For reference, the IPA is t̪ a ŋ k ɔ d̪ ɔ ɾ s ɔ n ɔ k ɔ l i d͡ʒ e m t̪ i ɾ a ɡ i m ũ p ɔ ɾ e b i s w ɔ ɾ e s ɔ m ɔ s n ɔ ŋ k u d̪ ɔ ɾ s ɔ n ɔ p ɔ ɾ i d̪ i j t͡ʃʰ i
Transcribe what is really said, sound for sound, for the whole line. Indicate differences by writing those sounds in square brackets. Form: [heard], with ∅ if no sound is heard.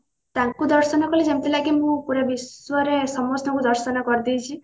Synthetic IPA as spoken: t̪ a ŋ k [u] d̪ ɔ ɾ s ɔ n ɔ k ɔ l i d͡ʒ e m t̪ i [l] a ɡ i m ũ p [u] ɾ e b i s w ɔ ɾ e s ɔ m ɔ s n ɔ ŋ k u d̪ ɔ ɾ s ɔ n ɔ [k] ɔ ɾ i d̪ i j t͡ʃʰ i

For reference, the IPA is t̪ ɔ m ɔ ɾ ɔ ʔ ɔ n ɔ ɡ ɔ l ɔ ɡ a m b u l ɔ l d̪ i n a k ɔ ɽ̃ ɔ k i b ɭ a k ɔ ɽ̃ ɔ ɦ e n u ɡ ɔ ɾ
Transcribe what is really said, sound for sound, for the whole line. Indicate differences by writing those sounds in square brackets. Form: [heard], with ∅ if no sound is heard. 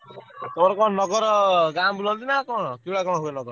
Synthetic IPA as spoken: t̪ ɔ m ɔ ɾ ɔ [k] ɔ n ɔ ɡ ɔ [ɾ] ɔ ɡ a m b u l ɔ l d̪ i n a k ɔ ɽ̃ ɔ k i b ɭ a k ɔ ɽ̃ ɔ ɦ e n [ɔ] ɡ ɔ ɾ

